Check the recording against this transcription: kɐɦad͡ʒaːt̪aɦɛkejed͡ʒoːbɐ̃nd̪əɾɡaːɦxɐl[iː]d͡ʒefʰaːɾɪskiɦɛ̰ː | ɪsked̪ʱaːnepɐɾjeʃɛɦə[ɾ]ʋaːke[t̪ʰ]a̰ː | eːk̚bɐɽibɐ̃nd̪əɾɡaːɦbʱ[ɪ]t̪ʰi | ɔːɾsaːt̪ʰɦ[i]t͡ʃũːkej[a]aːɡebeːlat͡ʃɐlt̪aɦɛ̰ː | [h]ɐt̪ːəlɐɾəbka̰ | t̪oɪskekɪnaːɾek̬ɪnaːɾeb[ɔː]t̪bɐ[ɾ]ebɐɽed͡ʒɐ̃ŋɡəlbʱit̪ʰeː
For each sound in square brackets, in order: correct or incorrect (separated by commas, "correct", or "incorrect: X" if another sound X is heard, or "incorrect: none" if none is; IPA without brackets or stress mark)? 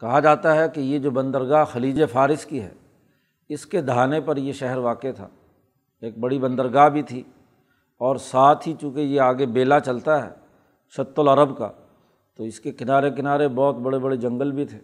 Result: correct, correct, correct, incorrect: i, correct, incorrect: e, incorrect: ʃ, correct, incorrect: ɽ